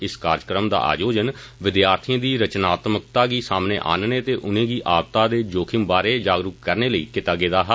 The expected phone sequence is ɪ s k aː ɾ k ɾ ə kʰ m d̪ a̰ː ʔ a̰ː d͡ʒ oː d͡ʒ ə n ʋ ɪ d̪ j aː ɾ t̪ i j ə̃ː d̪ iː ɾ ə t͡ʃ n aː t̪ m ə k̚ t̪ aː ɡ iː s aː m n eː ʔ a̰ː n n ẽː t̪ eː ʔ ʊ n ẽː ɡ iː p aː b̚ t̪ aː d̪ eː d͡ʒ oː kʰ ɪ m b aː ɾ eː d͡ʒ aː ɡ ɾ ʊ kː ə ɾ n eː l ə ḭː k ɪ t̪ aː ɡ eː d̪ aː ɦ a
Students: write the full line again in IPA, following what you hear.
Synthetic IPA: ɪ s k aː ɾ k ɾ ə m d̪ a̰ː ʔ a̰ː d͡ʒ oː d͡ʒ ə n ʋ ɪ d̪ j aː ɾ t̪ʰ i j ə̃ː d̪ iː ɾ ə t͡ʃ n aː t̪ m ə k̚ t̪ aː ɡ iː s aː m n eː ʔ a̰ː n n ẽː t̪ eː ʔ ʊ n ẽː ɡ iː ʔ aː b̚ t̪ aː d̪ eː d͡ʒ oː kʰ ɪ m b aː ɾ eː d͡ʒ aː ɡ ɾ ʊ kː ə ɾ n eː l ə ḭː k ɪ t̪ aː ɡ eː d̪ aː ɦ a